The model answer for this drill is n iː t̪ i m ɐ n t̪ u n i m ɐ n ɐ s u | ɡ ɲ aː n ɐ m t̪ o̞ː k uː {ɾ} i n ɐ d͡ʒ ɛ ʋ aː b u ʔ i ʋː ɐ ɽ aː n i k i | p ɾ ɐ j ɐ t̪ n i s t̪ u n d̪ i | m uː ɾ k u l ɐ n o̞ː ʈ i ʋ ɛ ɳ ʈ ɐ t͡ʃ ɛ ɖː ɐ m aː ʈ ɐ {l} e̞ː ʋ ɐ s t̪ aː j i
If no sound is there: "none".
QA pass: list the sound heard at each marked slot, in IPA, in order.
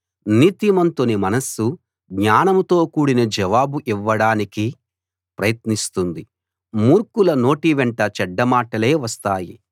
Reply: ɽ, l

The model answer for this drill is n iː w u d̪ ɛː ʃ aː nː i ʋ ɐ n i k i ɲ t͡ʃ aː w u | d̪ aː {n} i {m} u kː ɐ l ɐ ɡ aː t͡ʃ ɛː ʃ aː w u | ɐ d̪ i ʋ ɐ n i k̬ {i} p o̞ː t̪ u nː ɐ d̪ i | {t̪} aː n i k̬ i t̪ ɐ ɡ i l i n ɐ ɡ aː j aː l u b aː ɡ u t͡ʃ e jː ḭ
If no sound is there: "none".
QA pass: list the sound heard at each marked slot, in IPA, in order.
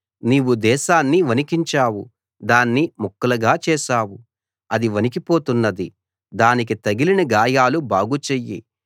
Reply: nː, m, i, d̪

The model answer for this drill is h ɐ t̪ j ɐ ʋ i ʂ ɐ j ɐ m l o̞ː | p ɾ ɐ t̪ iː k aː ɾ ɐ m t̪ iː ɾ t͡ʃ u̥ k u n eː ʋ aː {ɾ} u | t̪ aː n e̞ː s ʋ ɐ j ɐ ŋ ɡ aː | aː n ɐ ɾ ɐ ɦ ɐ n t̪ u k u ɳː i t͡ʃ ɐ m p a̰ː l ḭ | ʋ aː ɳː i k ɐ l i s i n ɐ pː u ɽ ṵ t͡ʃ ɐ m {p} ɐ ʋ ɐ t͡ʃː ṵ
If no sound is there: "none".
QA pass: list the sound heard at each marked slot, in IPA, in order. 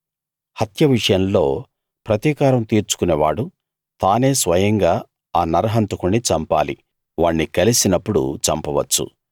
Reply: ɽ, p

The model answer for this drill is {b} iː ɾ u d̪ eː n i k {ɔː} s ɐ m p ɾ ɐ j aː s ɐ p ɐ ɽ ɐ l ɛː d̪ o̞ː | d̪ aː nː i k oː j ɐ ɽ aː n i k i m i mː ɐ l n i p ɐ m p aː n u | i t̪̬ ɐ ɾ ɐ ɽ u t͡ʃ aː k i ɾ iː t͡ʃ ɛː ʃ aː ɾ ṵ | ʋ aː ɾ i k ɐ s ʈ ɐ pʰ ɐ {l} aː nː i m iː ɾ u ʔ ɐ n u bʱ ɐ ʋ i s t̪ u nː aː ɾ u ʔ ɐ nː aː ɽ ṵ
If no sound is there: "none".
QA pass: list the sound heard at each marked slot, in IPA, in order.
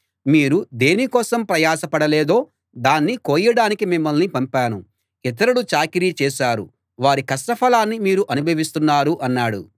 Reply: m, ɔː, l

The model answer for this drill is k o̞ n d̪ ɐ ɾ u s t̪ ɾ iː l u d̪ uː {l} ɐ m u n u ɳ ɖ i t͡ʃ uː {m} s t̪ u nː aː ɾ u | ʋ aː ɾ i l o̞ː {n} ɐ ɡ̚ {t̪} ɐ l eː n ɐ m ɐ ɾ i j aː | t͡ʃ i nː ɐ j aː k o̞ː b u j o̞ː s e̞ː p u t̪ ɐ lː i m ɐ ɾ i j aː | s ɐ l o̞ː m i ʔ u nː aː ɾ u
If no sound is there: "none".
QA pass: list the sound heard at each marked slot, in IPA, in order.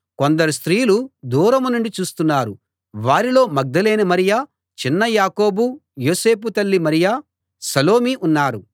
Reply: ɾ, none, m, d̪

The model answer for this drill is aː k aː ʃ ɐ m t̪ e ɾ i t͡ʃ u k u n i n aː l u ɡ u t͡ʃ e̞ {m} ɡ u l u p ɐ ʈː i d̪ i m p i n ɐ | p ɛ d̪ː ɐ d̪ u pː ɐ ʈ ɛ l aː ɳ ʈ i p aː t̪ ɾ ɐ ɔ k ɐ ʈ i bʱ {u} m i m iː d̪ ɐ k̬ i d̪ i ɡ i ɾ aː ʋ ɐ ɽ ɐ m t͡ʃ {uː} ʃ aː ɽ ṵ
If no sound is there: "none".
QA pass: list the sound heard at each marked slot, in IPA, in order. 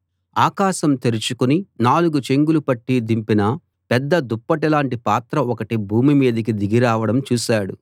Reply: ŋ, uː, uː

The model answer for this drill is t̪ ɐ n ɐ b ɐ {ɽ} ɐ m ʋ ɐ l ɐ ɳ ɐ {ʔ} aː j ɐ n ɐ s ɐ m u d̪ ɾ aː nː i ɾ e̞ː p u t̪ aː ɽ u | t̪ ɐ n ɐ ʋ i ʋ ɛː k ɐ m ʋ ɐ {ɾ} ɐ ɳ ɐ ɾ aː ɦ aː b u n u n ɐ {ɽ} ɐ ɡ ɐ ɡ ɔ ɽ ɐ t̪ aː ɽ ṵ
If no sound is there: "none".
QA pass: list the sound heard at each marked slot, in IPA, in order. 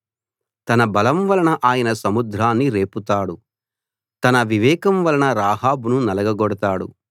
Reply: l, ʔ, l, l

